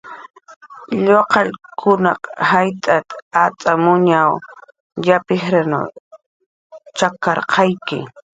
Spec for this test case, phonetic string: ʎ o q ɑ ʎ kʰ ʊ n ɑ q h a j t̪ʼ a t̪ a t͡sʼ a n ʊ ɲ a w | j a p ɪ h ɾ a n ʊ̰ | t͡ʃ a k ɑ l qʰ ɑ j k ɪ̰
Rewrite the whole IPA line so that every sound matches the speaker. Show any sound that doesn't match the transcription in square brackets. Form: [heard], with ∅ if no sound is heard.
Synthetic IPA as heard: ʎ o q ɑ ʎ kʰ ʊ n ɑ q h a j t̪ʼ a t̪ a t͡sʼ a [m] ʊ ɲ a w | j a p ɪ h ɾ a n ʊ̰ | t͡ʃ a k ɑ [ɾ] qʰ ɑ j k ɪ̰